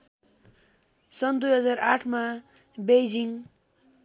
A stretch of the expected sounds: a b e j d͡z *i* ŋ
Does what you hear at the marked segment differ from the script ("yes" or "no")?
no